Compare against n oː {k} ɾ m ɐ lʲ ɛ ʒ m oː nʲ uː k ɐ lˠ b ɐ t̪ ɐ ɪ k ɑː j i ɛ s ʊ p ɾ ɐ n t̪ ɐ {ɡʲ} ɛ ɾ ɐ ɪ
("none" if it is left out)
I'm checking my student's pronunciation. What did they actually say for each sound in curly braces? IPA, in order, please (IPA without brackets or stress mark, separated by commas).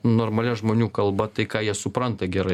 none, ɡʲ